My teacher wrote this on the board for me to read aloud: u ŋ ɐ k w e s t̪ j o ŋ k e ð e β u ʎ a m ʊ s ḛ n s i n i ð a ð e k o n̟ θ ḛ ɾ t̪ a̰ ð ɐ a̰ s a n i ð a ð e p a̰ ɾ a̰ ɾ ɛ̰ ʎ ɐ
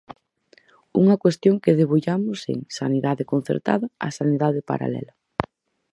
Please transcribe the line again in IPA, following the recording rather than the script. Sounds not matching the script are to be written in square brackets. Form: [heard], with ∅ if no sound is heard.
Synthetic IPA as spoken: u ŋ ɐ k w e s t̪ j o ŋ k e ð e β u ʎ a m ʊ s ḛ [ŋ] s [a] n i ð a ð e k o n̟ θ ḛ ɾ t̪ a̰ ð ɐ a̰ s a n i ð a ð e p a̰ ɾ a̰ [l] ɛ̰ [l] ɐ